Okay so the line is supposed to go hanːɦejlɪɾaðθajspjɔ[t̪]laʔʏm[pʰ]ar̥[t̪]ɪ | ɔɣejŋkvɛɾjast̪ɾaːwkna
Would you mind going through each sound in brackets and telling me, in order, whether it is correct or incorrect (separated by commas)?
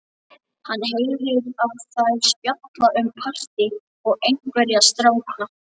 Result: correct, correct, correct